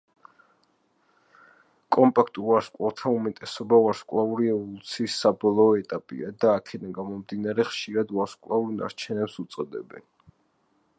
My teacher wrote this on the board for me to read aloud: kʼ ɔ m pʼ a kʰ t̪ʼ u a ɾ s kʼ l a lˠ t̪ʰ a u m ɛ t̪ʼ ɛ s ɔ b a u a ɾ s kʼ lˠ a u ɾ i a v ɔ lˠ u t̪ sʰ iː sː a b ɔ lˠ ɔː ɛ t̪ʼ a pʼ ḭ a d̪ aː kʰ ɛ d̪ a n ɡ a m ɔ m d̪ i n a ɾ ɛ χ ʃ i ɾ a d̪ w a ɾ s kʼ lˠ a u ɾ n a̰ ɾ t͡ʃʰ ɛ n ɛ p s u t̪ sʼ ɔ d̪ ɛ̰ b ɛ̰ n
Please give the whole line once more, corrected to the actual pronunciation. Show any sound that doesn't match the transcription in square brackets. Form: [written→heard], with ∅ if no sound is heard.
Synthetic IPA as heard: kʼ ɔ m pʼ a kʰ t̪ʼ u a ɾ s kʼ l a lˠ t̪ʰ a u m ɛ t̪ʼ ɛ s ɔ b a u a ɾ s kʼ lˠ a u ɾ i [a→ɛ] v ɔ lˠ u t̪ sʰ iː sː a b ɔ lˠ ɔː ɛ t̪ʼ a pʼ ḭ a d̪ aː kʰ ɛ d̪ a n ɡ a m ɔ m d̪ i n a ɾ ɛ χ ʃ i ɾ a d̪ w a ɾ s kʼ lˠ a u ɾ n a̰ ɾ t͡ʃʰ ɛ n ɛ p s u t̪ sʼ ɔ d̪ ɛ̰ b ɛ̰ n